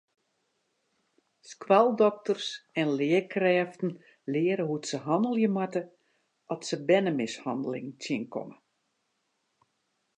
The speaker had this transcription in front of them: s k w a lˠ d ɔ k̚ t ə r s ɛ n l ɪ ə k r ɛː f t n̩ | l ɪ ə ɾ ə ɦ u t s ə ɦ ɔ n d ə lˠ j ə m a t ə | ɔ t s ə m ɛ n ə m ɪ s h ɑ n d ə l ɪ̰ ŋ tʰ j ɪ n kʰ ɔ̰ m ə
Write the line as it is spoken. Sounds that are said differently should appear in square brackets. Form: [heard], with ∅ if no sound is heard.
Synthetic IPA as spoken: s k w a lˠ d ɔ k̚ t ə r s ɛ n l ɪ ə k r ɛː f t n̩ | l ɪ ə ɾ ə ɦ u t s ə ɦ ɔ n d ə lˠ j ə m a t ə | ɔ t s ə [b] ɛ n ə m ɪ s h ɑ n d ə l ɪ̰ ŋ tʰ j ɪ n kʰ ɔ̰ m ə

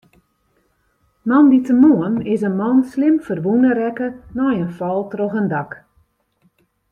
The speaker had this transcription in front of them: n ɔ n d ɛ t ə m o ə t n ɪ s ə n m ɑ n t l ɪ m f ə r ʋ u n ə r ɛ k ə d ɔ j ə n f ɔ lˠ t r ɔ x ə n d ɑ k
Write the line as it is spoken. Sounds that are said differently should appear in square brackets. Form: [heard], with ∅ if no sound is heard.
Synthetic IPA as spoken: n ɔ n d [i] t ə m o ə [∅] n ɪ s ə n m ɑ n [s] l ɪ m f ə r ʋ u n ə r ɛ k ə [n] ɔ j ə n f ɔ lˠ t r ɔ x ə n d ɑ k

